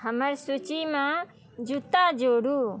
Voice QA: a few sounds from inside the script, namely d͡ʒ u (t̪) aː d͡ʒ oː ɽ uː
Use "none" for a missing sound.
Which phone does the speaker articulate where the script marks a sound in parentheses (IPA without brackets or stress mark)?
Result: t̪